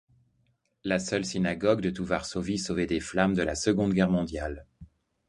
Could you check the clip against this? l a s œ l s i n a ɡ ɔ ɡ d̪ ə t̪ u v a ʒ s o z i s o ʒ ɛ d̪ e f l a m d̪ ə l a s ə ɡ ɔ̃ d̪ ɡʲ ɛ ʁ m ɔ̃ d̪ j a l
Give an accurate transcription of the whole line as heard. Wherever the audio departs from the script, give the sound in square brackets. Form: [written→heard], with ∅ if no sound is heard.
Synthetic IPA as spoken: l a s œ l s i n a ɡ ɔ ɡ d̪ ə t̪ u v a [ʒ→ʁ] s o [z→v] i s o [ʒ→v] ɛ d̪ e f l a m d̪ ə l a s ə ɡ ɔ̃ d̪ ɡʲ ɛ ʁ m ɔ̃ d̪ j a l